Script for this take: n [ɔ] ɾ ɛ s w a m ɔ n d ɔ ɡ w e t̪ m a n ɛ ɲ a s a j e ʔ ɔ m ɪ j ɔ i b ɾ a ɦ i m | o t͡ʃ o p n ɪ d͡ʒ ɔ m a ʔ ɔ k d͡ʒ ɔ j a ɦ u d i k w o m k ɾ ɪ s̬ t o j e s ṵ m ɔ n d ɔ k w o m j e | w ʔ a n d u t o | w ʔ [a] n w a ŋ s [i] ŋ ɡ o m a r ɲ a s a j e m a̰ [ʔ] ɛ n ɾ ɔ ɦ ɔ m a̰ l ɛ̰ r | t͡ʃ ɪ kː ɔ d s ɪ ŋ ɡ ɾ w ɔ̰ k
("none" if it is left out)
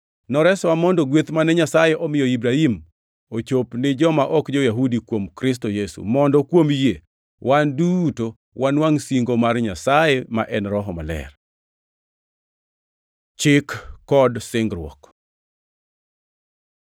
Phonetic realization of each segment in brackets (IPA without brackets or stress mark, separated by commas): ɔ, a, i, ʔ